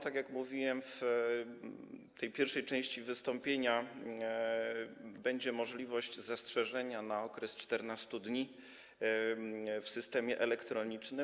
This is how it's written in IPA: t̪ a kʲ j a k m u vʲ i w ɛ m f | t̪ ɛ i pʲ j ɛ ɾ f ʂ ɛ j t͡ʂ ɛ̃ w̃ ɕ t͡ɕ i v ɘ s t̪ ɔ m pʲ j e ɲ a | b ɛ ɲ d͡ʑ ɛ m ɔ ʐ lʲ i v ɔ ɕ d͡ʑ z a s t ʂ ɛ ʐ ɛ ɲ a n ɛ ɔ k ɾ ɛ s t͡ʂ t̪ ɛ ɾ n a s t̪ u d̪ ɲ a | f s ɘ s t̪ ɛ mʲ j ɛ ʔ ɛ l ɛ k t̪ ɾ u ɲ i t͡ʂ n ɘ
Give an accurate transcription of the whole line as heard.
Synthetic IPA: t̪ a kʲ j a k m u vʲ i w ɛ m f | t̪ ɛ j pʲ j ɛ ɾ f ʂ ɛ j t͡ʂ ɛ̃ w̃ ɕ t͡ɕ i v ɘ s t̪ ɔ m pʲ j e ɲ a | b ɛ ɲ d͡ʑ ɛ m ɔ ʐ lʲ i v ɔ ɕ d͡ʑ z a s t ʂ ɛ ʐ ɛ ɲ a n a ɔ k ɾ ɛ s t͡ʂ t̪ ɛ ɾ n a s t̪ u d̪ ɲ i | f s ɘ s t̪ ɛ mʲ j ɛ ʔ ɛ l ɛ k t̪ ɾ ɔ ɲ i t͡ʂ n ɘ

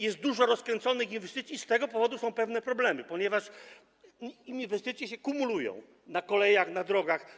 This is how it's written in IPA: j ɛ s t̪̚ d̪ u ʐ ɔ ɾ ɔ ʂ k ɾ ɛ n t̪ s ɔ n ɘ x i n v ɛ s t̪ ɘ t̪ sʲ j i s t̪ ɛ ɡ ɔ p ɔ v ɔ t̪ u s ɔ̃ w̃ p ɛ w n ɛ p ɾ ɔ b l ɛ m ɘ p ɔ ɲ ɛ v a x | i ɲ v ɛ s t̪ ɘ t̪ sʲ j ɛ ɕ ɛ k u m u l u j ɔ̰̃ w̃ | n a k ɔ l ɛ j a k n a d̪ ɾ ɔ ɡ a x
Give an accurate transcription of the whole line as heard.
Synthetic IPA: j ɛ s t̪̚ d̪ u ʐ ɔ ɾ ɔ s k ɾ ɛ n t̪ s ɔ n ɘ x i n v ɛ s t̪ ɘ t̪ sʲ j i s t̪ ɛ ɡ ɔ p ɔ v ɔ d̪ u s ɔ̃ w̃ p ɛ v n ɛ p ɾ ɔ b l ɛ m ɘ p ɔ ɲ ɛ v a ʂ | i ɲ v ɛ s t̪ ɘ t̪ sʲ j ɛ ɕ ɛ k u m u l u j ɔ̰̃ w̃ | n a k ɔ l ɛ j a x n a d̪ ɾ ɔ ɡ a x

